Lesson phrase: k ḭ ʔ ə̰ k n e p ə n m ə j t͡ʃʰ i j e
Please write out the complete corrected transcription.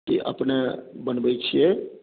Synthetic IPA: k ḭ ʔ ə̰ p n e b ə n b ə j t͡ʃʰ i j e